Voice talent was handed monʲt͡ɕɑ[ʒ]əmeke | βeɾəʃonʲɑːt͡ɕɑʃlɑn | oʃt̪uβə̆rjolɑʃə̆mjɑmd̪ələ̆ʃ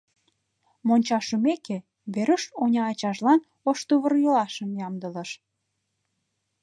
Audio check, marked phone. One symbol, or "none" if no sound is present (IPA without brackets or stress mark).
ʃ